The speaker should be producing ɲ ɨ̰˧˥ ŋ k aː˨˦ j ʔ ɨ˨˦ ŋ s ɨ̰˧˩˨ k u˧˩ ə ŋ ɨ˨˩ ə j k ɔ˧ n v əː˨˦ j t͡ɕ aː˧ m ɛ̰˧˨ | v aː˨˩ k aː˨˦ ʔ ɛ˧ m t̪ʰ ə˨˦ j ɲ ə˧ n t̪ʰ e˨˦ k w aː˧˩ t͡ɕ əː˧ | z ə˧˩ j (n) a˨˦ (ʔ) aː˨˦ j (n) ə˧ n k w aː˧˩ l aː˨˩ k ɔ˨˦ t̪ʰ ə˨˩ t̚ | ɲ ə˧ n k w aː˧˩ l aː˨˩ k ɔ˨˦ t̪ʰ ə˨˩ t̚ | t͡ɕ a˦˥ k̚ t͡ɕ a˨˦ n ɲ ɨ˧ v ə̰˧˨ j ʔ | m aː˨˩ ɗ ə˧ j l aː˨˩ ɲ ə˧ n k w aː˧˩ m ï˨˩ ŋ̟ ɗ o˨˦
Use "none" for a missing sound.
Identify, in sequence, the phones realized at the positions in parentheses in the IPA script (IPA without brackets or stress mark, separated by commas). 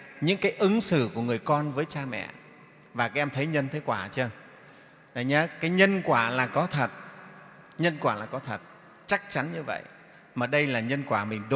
ɲ, k, ɲ